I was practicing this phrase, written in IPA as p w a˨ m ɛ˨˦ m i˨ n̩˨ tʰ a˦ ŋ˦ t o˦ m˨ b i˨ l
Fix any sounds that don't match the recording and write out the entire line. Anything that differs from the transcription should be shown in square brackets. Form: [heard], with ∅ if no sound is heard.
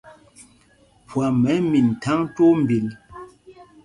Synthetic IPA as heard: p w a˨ m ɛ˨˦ m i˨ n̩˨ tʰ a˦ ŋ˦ t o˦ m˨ b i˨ l